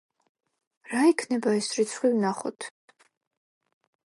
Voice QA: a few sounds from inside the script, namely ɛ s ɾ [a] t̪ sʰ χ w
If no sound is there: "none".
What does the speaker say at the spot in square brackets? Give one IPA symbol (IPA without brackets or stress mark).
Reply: i